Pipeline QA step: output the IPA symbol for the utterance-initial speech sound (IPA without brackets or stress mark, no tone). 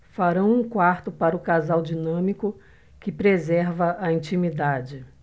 f